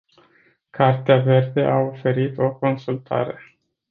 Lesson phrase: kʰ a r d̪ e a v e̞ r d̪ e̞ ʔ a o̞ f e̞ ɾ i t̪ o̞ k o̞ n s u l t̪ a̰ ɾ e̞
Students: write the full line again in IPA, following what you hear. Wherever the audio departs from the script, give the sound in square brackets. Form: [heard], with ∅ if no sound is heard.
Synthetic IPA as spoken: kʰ a r [t̪] e a v e̞ r d̪ e̞ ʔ a o̞ f e̞ ɾ i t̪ o̞ k o̞ n s u l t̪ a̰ ɾ e̞

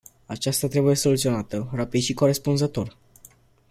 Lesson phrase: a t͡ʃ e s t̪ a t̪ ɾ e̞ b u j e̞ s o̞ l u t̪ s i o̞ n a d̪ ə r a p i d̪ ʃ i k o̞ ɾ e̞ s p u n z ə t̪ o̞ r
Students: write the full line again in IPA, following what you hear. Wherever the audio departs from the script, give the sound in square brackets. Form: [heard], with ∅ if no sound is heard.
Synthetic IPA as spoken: a t͡ʃ [a] s t̪ a t̪ ɾ e̞ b u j e̞ s o̞ l u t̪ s i o̞ n a [t̪] ə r a p i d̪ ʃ i k o̞ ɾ e̞ s p u n z ə t̪ o̞ r

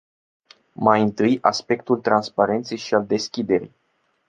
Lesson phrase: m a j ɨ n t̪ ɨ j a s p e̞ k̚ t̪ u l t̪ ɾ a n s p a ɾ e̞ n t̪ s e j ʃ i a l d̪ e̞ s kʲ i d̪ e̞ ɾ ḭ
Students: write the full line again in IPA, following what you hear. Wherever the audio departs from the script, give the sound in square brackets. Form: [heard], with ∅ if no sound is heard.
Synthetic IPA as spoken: m a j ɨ n t̪ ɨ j a s p e̞ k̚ t̪ u l t̪ ɾ a n s p a ɾ e̞ n t̪ s e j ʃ i a l d̪ e̞ s kʲ i d̪ e̞ ɾ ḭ

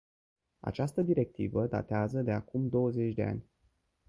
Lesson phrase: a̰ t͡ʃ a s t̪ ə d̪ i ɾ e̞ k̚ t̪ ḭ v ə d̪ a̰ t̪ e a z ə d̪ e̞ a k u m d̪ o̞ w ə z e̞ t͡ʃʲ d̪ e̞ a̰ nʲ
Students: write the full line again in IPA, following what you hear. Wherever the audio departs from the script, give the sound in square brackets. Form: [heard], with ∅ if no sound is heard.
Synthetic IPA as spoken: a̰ t͡ʃ a s t̪ ə d̪ i ɾ e̞ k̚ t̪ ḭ v ə d̪ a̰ t̪ e a z ə d̪ e̞ a k u m d̪ o̞ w ə z e̞ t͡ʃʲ d̪ e̞ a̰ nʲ

